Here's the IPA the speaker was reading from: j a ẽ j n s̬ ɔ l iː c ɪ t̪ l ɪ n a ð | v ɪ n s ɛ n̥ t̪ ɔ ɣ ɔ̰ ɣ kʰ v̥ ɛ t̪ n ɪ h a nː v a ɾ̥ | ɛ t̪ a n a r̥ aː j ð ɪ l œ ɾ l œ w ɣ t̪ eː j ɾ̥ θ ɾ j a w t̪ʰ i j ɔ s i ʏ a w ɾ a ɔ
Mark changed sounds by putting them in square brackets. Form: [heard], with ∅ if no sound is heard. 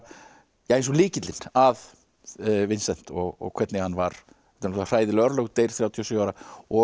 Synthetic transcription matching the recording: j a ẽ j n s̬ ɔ l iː c ɪ t̪ l ɪ n a ð | v ɪ n s ɛ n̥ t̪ ɔ ɣ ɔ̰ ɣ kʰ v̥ ɛ t̪ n ɪ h a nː v a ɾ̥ | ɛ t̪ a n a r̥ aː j ð ɪ l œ ɾ l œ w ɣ t̪ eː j ɾ̥ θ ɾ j a w t̪ʰ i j ɔ s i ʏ a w ɾ a ɔ